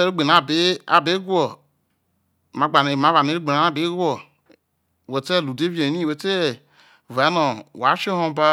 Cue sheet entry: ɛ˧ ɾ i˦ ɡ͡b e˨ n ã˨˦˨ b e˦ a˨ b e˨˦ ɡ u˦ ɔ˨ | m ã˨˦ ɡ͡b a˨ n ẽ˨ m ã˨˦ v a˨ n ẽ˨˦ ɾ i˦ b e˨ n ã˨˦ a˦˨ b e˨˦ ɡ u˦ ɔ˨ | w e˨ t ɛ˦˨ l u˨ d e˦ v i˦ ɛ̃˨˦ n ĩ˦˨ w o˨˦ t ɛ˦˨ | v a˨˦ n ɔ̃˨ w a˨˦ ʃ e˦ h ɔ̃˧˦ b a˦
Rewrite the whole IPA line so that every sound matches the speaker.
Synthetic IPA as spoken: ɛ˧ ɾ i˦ ɡ͡b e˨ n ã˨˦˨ b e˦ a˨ b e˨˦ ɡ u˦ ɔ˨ | m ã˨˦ ɡ͡b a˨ n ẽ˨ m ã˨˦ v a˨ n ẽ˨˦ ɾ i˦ ɡ͡b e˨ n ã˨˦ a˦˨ b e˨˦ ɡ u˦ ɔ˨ | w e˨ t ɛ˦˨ l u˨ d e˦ v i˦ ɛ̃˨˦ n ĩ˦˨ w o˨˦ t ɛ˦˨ | v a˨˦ n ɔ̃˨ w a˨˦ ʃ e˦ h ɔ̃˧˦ b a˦